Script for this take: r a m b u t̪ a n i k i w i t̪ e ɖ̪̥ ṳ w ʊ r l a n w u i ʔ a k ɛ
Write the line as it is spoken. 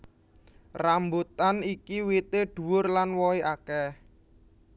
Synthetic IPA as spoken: r a m b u t̪ a n i k i w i t̪ e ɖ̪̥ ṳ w ʊ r l a n w ɔ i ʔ a k ɛ